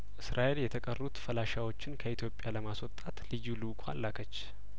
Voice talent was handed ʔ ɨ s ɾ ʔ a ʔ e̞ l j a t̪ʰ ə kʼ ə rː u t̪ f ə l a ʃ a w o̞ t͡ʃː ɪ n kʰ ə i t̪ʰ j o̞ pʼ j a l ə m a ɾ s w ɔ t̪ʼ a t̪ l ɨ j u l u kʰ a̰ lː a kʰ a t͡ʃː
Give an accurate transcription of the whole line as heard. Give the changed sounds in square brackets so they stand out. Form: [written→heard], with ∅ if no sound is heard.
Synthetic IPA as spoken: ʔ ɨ s ɾ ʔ a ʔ e̞ l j [a→ɛ] t̪ʰ ə kʼ ə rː u t̪ f ə l a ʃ a w o̞ t͡ʃː ɪ n kʰ ə i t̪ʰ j o̞ pʼ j a l ə m a [ɾ→∅] s w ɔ t̪ʼ a t̪ l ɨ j u l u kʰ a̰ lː a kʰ [a→ə] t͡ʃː